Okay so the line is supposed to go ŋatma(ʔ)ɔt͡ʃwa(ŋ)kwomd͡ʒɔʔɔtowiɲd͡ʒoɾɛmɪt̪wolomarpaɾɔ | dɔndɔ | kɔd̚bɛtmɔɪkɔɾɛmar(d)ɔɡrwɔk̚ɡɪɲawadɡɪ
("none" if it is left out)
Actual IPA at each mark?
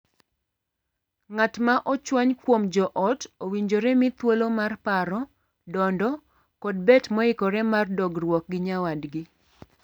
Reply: ʔ, ɲ, d

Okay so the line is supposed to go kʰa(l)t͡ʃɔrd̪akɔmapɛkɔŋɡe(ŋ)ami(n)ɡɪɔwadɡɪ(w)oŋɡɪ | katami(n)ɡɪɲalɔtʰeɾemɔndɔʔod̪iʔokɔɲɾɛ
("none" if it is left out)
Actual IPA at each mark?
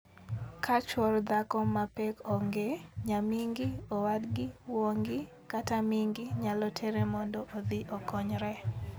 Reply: none, ɲ, ŋ, w, ŋ

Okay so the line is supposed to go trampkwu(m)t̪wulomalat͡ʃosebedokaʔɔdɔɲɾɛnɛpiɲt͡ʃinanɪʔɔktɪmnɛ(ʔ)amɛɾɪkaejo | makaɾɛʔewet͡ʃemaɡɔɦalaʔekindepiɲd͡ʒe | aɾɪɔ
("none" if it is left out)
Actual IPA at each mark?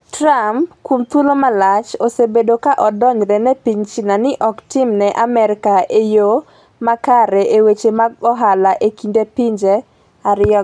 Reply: m, ʔ

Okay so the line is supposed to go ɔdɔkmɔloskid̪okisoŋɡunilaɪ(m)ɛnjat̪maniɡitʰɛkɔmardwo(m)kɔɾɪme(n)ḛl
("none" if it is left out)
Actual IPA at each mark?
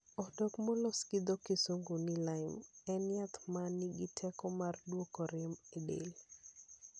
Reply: m, none, d

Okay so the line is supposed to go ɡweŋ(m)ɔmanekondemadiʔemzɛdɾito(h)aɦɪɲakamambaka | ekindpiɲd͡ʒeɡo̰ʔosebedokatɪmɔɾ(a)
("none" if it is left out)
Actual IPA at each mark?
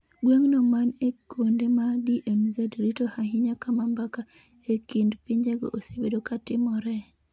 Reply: n, h, ɛ

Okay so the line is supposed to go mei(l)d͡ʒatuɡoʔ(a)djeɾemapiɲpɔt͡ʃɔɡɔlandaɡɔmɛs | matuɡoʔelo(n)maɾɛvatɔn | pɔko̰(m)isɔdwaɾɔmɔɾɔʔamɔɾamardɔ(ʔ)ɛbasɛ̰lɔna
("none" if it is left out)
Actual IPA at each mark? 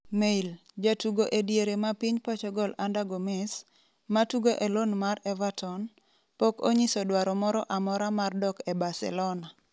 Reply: l, e, n, ɲ, k

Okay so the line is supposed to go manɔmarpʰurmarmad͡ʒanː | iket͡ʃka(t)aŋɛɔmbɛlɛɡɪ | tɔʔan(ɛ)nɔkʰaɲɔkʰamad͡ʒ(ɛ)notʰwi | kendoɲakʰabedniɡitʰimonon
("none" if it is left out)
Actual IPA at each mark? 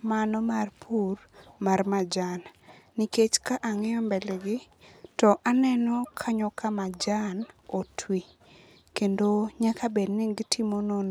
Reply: ʔ, ɛ, a

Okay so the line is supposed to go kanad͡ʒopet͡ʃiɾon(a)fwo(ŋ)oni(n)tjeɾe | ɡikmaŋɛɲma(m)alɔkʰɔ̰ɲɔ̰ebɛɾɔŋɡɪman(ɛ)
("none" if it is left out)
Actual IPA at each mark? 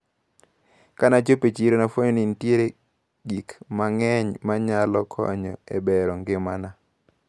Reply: a, ɲ, n, ɲ, a

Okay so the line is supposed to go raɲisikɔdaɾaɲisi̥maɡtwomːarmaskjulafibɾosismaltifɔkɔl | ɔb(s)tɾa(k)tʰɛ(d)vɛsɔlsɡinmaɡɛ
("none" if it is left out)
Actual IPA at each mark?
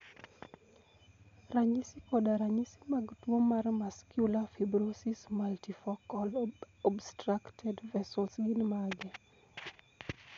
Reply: s, k, d

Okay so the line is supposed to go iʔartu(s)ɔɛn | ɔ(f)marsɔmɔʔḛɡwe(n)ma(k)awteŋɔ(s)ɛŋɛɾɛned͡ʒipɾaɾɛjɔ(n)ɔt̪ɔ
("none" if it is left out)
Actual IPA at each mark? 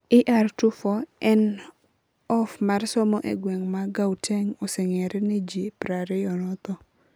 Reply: f, f, ŋ, ɡ, s, n

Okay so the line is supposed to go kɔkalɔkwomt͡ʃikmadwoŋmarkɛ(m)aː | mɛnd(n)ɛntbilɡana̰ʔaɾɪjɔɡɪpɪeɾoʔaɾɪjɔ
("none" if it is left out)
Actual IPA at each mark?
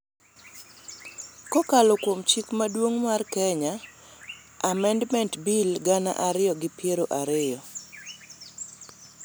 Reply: ɲ, m

